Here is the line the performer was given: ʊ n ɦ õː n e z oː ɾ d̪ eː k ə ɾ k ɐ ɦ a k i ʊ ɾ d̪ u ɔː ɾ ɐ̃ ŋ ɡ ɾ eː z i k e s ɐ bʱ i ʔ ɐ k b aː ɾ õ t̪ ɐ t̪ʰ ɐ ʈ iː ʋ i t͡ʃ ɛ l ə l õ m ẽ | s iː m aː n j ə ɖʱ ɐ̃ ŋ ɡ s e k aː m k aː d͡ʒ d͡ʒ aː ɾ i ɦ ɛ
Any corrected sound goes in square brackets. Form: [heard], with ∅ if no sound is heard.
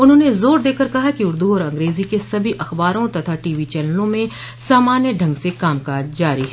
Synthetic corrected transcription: ʊ n ɦ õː n e z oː ɾ d̪ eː k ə ɾ k ɐ ɦ a k i ʊ ɾ d̪ u ɔː ɾ ɐ̃ ŋ ɡ ɾ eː z i k e s ɐ bʱ i ʔ ɐ [x] b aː ɾ õ t̪ ɐ t̪ʰ [a] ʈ iː ʋ i t͡ʃ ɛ l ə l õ m ẽ | s [aː] m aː n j ə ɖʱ ɐ̃ ŋ ɡ s e k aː m k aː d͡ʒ d͡ʒ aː ɾ i ɦ ɛ